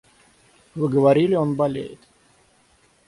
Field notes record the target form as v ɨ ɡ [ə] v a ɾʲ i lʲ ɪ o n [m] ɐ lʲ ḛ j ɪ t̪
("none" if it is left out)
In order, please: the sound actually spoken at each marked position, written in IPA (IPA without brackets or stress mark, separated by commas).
ə, b